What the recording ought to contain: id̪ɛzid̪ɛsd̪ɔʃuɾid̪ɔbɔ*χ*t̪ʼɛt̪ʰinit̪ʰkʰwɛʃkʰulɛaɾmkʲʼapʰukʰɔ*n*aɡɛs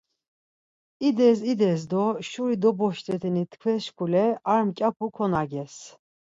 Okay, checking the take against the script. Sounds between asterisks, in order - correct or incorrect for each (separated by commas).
incorrect, correct